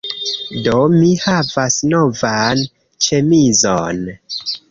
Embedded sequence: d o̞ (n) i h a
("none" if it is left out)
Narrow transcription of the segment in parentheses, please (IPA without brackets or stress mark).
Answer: m